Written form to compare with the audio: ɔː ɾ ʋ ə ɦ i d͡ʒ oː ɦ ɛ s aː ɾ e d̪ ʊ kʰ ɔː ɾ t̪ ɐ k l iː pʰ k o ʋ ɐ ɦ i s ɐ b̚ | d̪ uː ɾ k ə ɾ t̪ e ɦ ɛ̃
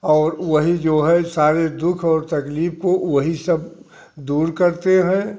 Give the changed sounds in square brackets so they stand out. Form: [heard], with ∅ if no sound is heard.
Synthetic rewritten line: ɔː ɾ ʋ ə ɦ i d͡ʒ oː ɦ ɛ s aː ɾ e d̪ ʊ kʰ ɔː ɾ t̪ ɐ k l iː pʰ k o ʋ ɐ ɦ i s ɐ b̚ | d̪ uː ɾ k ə ɾ t̪ e ɦ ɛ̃